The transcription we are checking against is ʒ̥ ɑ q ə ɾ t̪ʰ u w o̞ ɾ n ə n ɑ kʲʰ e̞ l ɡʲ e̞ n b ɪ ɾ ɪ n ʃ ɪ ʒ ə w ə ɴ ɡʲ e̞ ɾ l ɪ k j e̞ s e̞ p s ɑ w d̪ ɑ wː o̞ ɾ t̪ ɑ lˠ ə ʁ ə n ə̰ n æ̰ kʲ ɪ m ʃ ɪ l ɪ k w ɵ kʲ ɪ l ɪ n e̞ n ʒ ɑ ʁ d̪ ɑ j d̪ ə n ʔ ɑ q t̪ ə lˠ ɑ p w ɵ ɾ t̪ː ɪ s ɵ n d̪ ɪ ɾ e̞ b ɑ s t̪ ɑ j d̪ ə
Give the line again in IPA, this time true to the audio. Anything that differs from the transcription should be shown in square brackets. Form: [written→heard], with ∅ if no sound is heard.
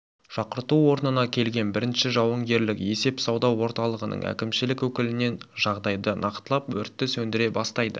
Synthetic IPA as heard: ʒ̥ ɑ q ə ɾ [t̪ʰ→t̪] u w o̞ ɾ n ə n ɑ kʲʰ e̞ l ɡʲ e̞ n b ɪ ɾ ɪ n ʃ ɪ ʒ [ə→ɑ] w ə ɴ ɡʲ e̞ ɾ l ɪ k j e̞ s e̞ p s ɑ w d̪ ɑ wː o̞ ɾ t̪ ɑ lˠ ə ʁ ə n ə̰ [n→ɴ] æ̰ kʲ ɪ m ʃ ɪ l ɪ k w ɵ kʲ ɪ l ɪ n e̞ n ʒ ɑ ʁ d̪ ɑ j d̪ ə n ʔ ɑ q t̪ ə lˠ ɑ p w ɵ ɾ t̪ː ɪ s ɵ n d̪ ɪ ɾ e̞ b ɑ s t̪ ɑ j d̪ ə